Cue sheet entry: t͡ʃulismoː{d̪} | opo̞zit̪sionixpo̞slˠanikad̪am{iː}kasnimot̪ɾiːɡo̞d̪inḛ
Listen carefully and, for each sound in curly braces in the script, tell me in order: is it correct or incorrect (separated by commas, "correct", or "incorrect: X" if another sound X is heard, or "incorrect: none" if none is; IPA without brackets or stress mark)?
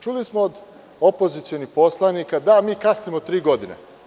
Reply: correct, correct